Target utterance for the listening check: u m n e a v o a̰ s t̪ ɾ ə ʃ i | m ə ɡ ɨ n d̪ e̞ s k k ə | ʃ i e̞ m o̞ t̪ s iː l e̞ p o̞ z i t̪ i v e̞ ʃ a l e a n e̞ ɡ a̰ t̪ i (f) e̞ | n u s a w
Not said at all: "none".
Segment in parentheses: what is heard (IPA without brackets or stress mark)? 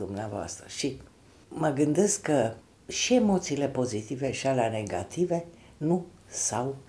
v